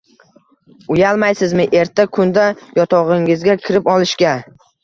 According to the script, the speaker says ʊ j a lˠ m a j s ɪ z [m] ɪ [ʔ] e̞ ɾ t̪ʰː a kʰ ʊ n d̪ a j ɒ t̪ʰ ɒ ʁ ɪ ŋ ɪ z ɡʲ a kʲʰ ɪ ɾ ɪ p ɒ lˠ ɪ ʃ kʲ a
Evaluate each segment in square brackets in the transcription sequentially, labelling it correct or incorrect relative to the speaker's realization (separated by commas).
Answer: correct, correct